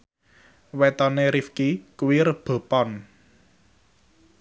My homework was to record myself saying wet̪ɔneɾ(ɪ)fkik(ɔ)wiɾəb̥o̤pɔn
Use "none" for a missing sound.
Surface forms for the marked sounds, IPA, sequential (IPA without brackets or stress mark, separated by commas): i, u